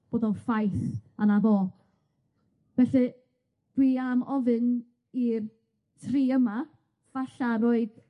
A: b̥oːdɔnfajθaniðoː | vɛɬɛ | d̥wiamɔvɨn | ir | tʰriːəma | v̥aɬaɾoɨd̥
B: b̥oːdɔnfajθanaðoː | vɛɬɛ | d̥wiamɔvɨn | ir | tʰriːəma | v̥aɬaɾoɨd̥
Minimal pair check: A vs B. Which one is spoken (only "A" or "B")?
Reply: B